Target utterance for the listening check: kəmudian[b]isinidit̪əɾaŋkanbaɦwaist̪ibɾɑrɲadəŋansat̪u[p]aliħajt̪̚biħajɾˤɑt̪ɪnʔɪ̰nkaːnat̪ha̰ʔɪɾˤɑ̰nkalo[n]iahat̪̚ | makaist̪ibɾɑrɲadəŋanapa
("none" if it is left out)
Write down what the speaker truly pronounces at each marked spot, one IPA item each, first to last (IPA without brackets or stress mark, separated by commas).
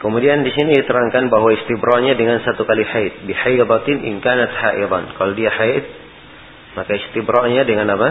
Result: d, k, d